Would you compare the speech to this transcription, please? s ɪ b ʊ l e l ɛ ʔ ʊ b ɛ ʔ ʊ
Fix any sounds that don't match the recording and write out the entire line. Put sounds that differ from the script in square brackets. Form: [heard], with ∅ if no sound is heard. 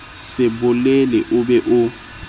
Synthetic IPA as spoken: s ɪ b ʊ l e l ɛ ʔ ʊ b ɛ ʔ ʊ